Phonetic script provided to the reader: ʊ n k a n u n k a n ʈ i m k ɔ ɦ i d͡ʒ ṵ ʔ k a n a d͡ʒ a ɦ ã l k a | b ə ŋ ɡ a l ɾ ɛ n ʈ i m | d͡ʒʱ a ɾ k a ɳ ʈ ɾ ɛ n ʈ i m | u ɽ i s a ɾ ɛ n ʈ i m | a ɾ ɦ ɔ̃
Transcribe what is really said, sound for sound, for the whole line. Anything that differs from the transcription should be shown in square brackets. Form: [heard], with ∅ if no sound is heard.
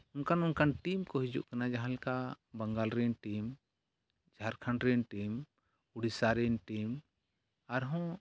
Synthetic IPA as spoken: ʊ n k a n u n k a n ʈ i m k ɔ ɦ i d͡ʒ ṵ ʔ k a n a d͡ʒ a ɦ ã l k a | b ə ŋ ɡ a l ɾ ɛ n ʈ i m | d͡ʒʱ a ɾ [kʰ] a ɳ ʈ ɾ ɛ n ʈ i m | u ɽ i s a ɾ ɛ n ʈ i m | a ɾ ɦ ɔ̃